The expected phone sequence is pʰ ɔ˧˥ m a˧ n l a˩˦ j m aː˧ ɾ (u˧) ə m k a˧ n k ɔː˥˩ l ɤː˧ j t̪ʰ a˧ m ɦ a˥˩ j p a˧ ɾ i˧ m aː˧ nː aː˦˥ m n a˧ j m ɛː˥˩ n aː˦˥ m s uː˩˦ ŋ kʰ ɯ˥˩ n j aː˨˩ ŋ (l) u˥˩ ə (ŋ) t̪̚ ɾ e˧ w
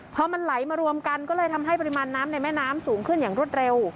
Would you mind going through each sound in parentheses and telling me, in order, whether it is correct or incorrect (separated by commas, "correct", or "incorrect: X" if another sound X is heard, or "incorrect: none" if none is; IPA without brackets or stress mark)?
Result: correct, incorrect: ɾ, incorrect: none